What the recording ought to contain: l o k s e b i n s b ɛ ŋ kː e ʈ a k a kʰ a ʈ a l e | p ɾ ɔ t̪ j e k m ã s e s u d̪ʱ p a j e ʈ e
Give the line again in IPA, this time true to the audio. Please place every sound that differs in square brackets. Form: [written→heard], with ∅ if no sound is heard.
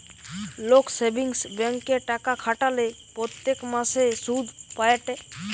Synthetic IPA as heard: l o k s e b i [n→ŋ] s b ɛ ŋ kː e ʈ a k a kʰ a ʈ a l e | p ɾ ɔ t̪ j e k m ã s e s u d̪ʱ p a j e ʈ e